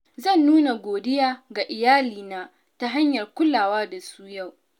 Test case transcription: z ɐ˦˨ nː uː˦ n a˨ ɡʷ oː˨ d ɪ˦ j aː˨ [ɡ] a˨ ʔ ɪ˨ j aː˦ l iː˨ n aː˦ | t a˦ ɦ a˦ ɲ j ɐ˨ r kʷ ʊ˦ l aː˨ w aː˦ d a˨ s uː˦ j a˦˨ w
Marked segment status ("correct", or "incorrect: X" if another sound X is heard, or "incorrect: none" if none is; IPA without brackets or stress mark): correct